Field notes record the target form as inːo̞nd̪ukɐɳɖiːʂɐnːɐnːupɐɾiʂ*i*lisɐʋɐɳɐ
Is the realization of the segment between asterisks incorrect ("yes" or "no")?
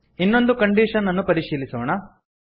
yes